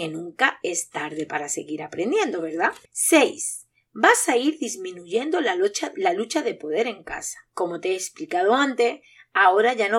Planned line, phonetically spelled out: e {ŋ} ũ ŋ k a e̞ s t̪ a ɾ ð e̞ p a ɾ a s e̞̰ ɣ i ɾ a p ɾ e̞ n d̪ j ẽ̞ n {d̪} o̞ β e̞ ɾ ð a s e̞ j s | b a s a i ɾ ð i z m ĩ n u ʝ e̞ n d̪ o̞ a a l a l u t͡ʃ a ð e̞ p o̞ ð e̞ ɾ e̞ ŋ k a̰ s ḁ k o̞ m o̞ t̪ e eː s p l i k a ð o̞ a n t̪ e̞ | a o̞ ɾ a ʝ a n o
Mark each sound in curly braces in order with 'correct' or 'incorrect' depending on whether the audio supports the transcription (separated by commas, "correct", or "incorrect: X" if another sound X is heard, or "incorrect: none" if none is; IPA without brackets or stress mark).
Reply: incorrect: n, correct